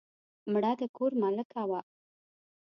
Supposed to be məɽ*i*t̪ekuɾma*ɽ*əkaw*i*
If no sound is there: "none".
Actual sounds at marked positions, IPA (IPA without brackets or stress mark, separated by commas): a, l, a